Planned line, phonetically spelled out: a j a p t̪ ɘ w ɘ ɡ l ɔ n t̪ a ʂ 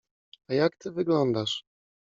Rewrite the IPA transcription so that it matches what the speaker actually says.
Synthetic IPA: a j a k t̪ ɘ v ɘ ɡ l ɔ n d̪ a ʂ

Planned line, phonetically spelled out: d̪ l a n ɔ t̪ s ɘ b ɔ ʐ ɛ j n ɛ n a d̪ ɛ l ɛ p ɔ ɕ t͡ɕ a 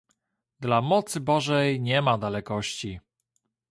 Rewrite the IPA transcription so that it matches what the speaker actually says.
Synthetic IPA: d̪ l a m ɔ t̪ s ɘ b ɔ ʐ ɛ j ɲ ɛ m a d̪ a l ɛ k ɔ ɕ t͡ɕ i

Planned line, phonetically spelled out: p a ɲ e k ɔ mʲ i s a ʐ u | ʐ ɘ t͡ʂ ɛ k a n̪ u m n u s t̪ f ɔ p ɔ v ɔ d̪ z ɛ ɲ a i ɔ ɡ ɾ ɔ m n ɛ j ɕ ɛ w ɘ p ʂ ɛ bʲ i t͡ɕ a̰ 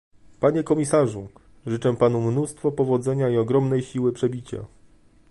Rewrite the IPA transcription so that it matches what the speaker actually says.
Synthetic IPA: p a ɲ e k ɔ mʲ i s a ʐ u | ʐ ɘ t͡ʂ ɛ p a n̪ u m n u s t̪ f ɔ p ɔ v ɔ d̪ z ɛ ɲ a i ɔ ɡ ɾ ɔ m n ɛ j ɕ i w ɘ p ʂ ɛ bʲ i t͡ɕ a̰

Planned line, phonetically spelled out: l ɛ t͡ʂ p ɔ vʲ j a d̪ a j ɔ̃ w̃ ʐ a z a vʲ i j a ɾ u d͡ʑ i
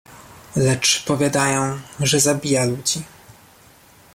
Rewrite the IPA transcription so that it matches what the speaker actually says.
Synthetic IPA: l ɛ t͡ʂ p ɔ vʲ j a d̪ a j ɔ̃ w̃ ʐ ɛ z a bʲ i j a l u d͡ʑ i

